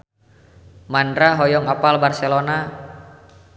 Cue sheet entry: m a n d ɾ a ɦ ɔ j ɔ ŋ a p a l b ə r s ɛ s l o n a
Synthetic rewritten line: m a n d ɾ a ɦ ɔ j ɔ ŋ a p a l b a r s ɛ l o n a